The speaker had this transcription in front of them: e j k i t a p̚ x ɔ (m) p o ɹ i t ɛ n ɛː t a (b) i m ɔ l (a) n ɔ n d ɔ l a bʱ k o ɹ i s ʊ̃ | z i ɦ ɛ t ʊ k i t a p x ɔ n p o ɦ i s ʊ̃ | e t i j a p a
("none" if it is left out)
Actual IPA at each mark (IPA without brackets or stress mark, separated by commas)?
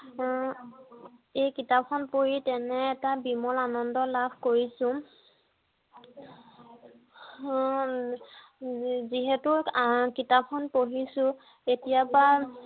n, b, a